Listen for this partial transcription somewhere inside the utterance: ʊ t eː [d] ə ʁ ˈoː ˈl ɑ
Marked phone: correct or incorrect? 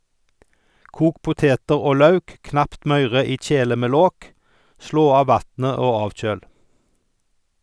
incorrect